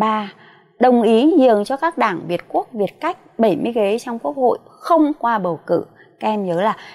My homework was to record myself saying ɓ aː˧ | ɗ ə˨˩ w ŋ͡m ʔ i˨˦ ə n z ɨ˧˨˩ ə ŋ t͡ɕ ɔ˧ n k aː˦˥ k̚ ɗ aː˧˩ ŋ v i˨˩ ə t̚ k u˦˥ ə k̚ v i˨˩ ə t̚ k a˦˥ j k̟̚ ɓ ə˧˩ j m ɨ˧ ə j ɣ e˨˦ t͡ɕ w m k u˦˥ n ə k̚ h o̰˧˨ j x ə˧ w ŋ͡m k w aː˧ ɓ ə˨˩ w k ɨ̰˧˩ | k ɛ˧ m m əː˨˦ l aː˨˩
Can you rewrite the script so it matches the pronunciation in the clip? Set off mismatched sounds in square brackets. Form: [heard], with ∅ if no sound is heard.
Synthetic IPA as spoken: ɓ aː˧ | ɗ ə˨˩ w ŋ͡m ʔ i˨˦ ə n z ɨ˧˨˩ ə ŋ t͡ɕ ɔ˧ [∅] k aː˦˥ k̚ ɗ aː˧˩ ŋ v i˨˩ ə t̚ k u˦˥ ə k̚ v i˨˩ ə t̚ k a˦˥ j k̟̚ ɓ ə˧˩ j m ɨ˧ ə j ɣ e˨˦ t͡ɕ w [ŋ͡m] k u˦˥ [∅] ə k̚ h o̰˧˨ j x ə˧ w ŋ͡m k w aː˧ ɓ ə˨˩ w k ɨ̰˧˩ | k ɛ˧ m [ɲ] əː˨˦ l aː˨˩